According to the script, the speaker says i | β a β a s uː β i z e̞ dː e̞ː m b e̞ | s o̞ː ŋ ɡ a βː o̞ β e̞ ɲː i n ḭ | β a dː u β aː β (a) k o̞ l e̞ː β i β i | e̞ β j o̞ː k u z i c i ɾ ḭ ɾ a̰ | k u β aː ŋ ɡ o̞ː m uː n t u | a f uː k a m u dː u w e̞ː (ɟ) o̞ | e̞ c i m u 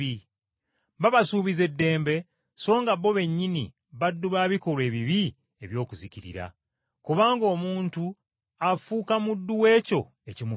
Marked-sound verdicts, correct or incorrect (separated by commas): incorrect, incorrect